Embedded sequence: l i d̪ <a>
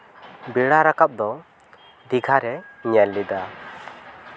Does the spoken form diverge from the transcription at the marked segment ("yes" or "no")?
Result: no